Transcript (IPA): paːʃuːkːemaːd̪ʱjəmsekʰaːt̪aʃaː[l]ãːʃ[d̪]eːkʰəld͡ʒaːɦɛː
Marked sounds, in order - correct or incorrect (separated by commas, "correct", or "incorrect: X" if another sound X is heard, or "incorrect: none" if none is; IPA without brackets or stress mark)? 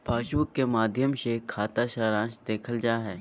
incorrect: ɾ, correct